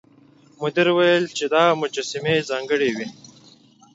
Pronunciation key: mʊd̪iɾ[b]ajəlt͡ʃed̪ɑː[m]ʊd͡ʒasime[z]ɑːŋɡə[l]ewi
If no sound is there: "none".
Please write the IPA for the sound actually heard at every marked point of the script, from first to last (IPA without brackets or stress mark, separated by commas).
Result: w, m, z, ɽ